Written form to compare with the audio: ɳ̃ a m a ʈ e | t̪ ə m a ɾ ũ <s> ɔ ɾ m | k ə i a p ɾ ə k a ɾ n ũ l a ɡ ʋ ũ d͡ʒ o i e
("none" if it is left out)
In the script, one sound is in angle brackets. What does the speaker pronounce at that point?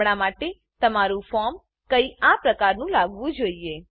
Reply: f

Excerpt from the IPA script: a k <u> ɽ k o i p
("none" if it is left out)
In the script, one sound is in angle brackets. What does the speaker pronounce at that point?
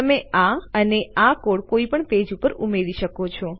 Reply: o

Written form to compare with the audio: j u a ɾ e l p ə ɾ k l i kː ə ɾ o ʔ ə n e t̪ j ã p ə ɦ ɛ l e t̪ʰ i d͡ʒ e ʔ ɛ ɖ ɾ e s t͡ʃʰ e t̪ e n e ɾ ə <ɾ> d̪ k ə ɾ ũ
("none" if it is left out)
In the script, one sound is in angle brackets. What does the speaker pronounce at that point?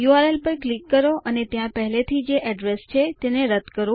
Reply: none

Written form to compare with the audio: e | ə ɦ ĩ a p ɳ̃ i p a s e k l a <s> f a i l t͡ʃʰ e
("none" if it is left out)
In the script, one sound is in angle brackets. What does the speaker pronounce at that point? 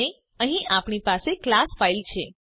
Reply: s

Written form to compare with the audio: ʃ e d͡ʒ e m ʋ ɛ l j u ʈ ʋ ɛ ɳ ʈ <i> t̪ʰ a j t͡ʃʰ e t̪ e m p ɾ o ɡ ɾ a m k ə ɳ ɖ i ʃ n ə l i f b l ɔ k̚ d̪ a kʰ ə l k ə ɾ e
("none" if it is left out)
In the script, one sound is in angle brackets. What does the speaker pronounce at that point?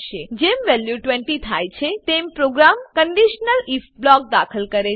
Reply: i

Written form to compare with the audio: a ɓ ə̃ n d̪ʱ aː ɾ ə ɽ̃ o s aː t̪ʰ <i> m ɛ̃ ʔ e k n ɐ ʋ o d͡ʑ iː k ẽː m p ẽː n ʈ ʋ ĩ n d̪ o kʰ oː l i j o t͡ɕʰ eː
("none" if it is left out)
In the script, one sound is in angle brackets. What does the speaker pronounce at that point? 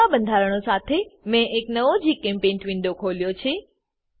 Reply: e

